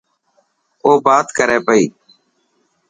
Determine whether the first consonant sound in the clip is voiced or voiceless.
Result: voiced